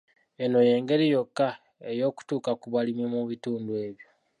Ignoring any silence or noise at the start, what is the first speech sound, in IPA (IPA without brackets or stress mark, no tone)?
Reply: e̞